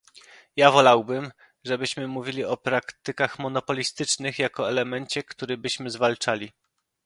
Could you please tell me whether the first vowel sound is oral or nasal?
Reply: oral